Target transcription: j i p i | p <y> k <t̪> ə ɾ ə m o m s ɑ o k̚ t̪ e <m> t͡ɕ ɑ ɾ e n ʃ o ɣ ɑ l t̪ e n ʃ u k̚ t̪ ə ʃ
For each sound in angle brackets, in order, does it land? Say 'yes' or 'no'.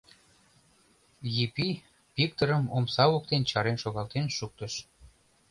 no, yes, no

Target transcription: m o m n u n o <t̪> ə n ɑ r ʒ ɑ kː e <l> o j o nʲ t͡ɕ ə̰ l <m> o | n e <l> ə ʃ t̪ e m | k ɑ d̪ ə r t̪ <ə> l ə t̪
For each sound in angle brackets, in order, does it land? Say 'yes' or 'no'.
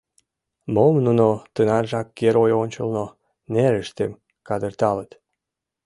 yes, no, no, no, no

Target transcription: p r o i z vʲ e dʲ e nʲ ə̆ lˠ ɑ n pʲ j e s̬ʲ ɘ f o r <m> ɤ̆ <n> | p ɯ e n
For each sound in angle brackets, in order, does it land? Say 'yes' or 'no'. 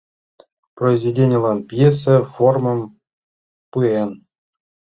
yes, no

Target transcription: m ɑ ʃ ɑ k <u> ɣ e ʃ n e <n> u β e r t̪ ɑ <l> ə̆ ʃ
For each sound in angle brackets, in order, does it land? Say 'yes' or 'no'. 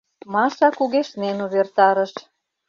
yes, yes, no

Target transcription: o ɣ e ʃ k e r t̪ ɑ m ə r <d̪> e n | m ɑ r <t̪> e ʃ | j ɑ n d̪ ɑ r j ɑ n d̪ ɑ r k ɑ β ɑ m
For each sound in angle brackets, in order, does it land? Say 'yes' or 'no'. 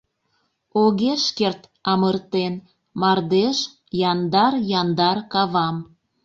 no, no

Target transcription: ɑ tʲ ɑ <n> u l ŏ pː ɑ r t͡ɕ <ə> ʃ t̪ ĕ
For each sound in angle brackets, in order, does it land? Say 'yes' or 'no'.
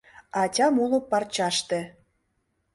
no, no

